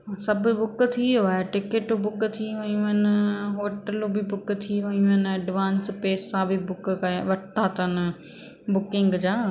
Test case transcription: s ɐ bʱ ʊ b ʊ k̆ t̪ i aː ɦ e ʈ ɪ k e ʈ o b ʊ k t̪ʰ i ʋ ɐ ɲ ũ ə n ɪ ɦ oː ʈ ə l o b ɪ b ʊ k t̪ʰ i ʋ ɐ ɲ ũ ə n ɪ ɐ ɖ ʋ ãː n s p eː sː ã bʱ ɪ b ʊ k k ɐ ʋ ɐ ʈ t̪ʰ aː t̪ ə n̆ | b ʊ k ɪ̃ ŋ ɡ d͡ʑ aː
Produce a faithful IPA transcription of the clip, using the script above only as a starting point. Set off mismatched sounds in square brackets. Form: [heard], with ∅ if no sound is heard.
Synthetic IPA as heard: s ɐ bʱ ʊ b ʊ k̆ [t̪ʰ] i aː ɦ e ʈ ɪ k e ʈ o b ʊ k t̪ʰ i ʋ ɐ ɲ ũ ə n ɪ ɦ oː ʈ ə l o b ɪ b ʊ k t̪ʰ i ʋ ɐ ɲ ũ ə n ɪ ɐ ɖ ʋ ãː n s p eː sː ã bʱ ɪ b ʊ k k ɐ ʋ ɐ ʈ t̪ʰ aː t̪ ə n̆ | b ʊ k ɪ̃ ŋ ɡ d͡ʑ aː